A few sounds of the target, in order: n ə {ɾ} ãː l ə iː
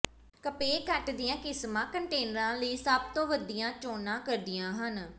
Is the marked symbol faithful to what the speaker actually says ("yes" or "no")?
yes